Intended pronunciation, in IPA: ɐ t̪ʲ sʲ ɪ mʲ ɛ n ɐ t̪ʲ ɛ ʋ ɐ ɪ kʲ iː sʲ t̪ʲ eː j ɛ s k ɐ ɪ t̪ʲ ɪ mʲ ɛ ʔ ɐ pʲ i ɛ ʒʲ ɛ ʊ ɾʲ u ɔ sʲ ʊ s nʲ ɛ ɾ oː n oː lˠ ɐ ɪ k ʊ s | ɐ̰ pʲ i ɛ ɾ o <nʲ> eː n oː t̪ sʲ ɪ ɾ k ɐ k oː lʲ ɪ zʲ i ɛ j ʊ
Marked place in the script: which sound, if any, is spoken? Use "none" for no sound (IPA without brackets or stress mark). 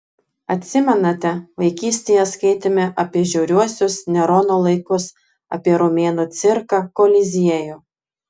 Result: mʲ